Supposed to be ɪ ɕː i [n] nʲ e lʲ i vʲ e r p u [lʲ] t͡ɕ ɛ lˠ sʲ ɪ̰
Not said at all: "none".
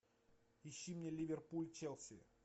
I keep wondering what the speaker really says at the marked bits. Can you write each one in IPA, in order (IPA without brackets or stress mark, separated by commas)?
m, lʲ